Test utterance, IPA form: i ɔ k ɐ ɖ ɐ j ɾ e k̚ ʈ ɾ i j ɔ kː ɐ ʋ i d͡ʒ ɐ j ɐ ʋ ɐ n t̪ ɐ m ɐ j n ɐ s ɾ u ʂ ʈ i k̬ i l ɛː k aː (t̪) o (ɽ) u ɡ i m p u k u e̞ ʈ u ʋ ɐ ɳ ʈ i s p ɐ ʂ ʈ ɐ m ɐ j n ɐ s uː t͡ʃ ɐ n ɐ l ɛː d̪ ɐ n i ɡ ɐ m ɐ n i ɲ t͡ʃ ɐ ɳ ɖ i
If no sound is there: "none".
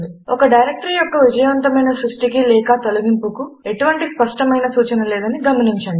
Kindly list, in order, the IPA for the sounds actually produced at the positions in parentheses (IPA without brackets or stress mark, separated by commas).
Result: t̪, l